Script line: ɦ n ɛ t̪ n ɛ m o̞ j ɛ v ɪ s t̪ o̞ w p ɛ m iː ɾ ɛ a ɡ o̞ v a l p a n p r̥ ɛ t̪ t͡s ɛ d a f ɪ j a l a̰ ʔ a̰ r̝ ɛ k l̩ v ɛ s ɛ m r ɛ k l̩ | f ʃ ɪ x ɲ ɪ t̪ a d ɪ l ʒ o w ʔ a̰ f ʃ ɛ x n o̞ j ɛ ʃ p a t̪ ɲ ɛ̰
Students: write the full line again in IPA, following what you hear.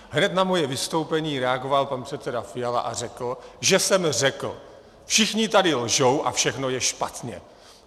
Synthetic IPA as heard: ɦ n ɛ t̪ n a m o̞ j ɛ v ɪ s t̪ o̞ w p ɛ ɲ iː ɾ ɛ a ɡ o̞ v a l p a n p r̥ ɛ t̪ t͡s ɛ d a f ɪ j a l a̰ ʔ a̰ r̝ ɛ k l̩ ʒ ɛ s ɛ m r ɛ k l̩ | f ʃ ɪ x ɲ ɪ t̪ a d ɪ l ʒ o w ʔ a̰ f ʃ ɛ x n o̞ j ɛ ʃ p a t̪ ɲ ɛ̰